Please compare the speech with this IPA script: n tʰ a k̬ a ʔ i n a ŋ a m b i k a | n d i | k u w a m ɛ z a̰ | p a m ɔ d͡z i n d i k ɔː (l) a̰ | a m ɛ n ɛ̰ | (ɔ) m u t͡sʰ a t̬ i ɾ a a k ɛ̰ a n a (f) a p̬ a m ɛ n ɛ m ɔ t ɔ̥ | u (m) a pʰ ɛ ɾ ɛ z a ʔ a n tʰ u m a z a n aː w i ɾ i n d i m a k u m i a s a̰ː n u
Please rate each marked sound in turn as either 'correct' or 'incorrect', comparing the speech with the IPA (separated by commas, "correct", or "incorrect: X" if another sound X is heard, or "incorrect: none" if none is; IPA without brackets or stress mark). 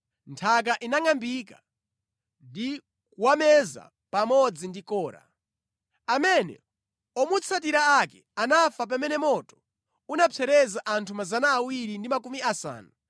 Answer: incorrect: ɾ, correct, correct, incorrect: n